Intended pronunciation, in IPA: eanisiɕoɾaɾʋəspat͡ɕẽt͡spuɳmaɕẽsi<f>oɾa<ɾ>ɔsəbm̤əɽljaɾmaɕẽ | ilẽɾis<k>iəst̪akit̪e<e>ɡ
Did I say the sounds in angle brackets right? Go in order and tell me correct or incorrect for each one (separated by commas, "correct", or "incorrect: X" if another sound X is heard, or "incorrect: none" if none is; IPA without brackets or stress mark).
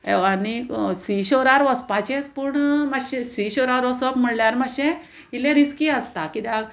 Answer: incorrect: ɕ, correct, correct, incorrect: a